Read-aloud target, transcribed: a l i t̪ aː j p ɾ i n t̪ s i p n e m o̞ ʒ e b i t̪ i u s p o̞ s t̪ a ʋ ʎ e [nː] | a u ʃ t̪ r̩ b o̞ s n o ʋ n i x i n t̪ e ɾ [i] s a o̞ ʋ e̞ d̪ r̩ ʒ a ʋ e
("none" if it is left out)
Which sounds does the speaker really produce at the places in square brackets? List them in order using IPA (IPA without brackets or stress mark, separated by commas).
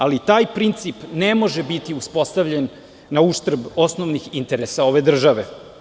nː, e